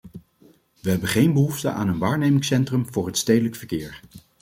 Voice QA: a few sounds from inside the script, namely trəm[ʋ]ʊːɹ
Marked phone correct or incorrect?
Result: incorrect